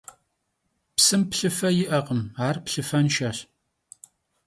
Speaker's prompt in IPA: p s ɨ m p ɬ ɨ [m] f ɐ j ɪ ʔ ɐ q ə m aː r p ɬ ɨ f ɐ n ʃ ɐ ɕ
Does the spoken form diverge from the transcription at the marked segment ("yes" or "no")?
yes